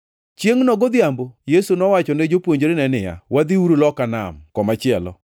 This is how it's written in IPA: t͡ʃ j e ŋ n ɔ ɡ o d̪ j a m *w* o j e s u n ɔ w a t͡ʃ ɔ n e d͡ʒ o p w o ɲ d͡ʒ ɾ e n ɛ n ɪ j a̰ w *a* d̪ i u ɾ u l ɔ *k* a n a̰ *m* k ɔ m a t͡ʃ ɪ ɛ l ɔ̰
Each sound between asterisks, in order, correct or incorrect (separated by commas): incorrect, correct, correct, correct